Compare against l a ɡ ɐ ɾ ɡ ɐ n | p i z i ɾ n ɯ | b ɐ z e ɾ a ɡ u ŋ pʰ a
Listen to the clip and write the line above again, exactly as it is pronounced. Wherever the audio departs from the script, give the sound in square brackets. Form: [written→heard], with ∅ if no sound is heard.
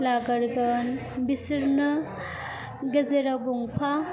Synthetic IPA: l a ɡ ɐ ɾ ɡ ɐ n | [p→b] i [z→s] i ɾ n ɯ | [b→ɡ] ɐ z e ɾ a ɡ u ŋ pʰ a